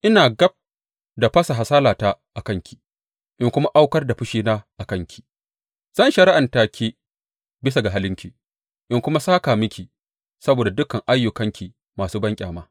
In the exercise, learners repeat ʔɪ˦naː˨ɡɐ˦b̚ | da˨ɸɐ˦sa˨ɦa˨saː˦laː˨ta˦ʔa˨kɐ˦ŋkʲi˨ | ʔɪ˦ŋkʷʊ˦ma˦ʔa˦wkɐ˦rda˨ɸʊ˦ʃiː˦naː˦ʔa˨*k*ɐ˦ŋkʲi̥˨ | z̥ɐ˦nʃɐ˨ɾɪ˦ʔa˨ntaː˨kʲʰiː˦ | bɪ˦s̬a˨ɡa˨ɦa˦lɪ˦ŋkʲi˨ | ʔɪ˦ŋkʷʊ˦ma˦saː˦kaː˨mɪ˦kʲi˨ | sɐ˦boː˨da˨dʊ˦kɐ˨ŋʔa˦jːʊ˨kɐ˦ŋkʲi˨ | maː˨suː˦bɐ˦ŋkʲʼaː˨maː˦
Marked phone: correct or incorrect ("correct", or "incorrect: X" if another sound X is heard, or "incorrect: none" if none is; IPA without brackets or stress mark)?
correct